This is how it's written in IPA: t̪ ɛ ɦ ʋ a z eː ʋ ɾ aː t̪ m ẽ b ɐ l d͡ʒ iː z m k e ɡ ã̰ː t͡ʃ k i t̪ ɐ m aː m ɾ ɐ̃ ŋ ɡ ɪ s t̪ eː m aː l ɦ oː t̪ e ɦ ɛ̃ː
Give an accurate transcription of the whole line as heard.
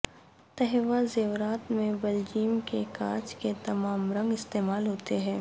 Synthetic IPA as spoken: t̪ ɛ ɦ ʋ a z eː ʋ ɾ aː t̪ m ẽ b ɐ l d͡ʒ iː m k e k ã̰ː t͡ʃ k e t̪ ɐ m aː m ɾ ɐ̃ ŋ ɡ ɪ s t̪ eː m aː l ɦ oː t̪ e ɦ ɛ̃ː